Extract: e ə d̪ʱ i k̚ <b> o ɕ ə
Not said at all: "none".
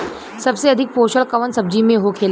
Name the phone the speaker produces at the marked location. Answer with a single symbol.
p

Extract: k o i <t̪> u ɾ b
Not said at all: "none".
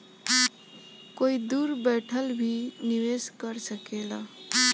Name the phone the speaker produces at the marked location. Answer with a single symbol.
d̪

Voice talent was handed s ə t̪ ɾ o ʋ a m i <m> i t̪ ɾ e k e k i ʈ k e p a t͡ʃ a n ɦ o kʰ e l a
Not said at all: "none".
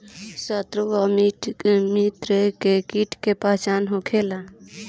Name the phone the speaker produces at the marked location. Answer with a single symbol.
m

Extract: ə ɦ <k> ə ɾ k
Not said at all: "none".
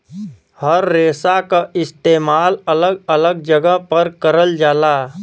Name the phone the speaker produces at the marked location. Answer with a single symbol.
p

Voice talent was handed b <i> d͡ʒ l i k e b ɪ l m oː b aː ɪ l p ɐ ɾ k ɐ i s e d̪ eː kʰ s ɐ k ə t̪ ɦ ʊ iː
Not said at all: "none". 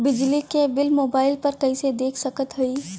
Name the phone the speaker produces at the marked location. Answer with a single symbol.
ɪ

